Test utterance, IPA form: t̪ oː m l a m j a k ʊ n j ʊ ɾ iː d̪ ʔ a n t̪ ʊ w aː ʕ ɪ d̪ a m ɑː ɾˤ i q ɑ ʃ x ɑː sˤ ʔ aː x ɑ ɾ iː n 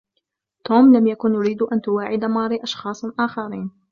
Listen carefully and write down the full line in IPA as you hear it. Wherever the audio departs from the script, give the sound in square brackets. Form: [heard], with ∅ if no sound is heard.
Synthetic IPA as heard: t̪ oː m l a m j a k ʊ n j ʊ ɾ iː d̪ ʔ a n t̪ ʊ w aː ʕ ɪ d̪ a m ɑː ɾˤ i [ʔ] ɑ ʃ x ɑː sˤ ʔ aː x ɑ ɾ iː n

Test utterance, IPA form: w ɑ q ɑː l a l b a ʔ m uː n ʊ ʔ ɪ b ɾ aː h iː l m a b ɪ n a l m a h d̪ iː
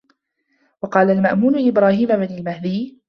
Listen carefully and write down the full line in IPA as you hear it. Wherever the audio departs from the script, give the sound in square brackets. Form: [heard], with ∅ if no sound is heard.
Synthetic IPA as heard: w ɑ q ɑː l a l [m] a ʔ m uː n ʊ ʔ ɪ b ɾ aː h iː [∅] m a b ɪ n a l m a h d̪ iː

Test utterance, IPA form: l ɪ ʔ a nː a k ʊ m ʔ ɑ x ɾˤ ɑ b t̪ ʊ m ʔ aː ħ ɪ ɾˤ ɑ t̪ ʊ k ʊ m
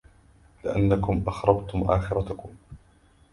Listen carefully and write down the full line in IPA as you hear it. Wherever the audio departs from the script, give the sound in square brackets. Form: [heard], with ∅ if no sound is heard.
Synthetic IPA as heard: l ɪ ʔ a nː a k ʊ m ʔ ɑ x ɾˤ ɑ b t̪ ʊ m ʔ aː [x] ɪ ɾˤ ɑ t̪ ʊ k ʊ m

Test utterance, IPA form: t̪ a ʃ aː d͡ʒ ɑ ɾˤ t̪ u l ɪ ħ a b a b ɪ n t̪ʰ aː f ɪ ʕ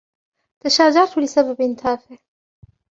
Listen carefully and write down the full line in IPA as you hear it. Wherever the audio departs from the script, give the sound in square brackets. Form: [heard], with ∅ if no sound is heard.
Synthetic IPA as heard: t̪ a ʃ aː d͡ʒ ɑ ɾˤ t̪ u l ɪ [s] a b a b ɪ n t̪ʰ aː f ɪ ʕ

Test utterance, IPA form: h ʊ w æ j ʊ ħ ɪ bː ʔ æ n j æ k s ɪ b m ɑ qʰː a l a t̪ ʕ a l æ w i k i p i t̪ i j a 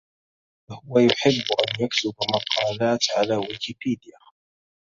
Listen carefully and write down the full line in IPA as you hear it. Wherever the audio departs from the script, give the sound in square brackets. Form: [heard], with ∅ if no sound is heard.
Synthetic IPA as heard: h ʊ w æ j ʊ ħ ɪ bː ʔ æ n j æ k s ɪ b m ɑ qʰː [ɑ] l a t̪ ʕ a l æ w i k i p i [d̪] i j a

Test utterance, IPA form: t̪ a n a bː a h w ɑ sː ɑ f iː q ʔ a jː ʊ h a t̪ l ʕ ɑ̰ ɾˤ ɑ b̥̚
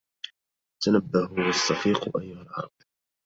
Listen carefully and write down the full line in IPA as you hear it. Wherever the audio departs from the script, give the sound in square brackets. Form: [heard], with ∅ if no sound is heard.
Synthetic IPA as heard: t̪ a n a bː a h w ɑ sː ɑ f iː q ʔ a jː ʊ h a [∅] l ʕ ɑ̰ ɾˤ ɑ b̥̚

